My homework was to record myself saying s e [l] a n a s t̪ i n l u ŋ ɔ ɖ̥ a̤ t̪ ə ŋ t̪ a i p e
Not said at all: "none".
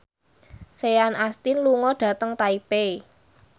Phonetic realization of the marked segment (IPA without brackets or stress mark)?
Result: none